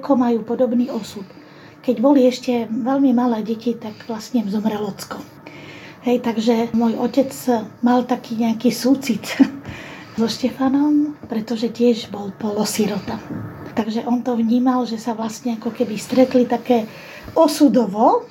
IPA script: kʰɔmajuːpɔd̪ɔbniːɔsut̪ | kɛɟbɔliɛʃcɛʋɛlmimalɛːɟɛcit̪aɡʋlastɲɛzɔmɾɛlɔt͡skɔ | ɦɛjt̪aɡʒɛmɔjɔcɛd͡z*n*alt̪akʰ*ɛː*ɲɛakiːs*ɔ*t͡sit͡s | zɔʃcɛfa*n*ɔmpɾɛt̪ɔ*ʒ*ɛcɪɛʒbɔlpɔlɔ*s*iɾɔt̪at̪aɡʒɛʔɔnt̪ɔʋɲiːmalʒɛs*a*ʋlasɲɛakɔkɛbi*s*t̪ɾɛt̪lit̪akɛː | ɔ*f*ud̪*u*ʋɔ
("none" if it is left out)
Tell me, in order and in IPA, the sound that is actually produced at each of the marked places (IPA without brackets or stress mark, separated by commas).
m, iː, u, n, ʒ, s, a, s, s, ɔ